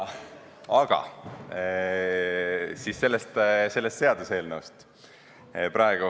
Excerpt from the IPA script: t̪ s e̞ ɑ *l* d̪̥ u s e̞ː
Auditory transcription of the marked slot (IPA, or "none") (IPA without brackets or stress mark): none